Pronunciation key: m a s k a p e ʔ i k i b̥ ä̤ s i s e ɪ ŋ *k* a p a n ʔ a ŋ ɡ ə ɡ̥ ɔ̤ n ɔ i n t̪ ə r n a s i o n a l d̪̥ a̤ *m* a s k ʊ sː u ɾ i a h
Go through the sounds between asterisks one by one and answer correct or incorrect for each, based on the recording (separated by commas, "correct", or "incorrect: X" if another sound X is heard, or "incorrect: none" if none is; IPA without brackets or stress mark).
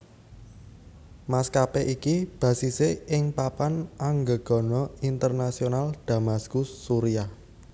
incorrect: p, correct